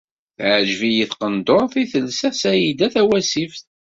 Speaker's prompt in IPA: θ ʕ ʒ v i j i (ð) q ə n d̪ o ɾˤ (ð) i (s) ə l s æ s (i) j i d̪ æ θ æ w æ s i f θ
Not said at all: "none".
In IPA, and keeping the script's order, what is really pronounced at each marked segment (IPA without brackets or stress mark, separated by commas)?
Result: θ, θ, θ, æ